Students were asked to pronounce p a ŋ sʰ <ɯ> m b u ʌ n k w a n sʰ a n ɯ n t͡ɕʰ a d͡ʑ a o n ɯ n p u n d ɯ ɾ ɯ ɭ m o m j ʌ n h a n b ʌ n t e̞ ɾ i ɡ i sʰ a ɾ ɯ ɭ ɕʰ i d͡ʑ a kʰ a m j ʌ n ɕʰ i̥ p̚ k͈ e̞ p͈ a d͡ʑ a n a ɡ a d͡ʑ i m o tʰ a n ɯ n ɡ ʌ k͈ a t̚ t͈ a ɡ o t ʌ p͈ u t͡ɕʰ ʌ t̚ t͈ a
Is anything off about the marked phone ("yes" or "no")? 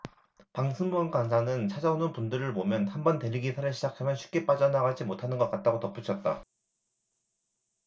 no